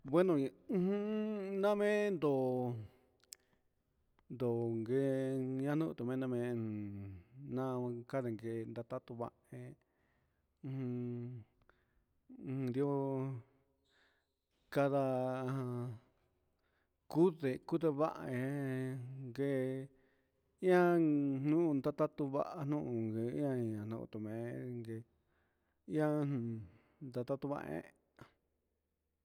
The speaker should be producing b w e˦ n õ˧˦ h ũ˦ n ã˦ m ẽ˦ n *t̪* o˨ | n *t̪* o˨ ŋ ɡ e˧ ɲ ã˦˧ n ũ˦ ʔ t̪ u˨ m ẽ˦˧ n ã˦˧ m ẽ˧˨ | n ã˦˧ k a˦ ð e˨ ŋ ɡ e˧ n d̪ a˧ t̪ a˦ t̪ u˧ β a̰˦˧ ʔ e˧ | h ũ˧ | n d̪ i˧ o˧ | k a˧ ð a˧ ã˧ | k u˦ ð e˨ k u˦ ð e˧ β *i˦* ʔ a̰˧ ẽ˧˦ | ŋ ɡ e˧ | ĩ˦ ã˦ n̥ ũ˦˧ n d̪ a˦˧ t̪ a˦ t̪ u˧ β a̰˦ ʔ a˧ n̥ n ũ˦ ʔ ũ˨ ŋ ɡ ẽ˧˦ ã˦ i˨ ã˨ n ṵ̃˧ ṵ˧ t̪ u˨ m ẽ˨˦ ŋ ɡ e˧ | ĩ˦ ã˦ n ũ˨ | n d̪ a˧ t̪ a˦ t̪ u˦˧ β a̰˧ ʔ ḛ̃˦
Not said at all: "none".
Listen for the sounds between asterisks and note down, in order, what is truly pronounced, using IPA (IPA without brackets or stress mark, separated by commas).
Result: d̪, d̪, a˦